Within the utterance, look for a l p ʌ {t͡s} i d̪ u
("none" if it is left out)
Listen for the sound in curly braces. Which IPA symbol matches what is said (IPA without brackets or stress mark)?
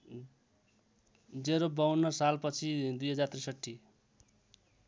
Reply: t͡sʰ